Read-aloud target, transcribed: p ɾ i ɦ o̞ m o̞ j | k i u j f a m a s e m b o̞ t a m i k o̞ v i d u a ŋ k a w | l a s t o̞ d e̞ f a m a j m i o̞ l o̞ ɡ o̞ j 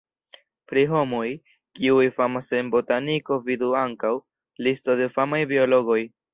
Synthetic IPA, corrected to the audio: p ɾ i ɦ o̞ m o̞ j | k i u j f a m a s e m b o̞ t a n i k o̞ v i d u a ŋ k a w | l i s t o̞ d e̞ f a m a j b i o̞ l o̞ ɡ o̞ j